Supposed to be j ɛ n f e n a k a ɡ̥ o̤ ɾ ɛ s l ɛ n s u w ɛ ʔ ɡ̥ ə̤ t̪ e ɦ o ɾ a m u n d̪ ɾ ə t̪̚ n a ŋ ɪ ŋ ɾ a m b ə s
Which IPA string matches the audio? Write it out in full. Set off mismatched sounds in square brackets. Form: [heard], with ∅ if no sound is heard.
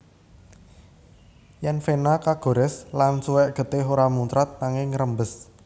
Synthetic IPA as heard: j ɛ n f e n a k a ɡ̥ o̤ ɾ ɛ s l [a] n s u w ɛ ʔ ɡ̥ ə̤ t̪ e ɦ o ɾ a m u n [t̪] ɾ [a] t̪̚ n a ŋ ɪ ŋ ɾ [ə] m b ə s